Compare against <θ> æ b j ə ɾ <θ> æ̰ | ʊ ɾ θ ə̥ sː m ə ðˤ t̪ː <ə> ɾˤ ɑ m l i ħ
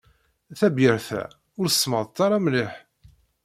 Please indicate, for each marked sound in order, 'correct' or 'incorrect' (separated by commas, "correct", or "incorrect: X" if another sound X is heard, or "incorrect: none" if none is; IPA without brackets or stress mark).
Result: correct, correct, incorrect: ɑ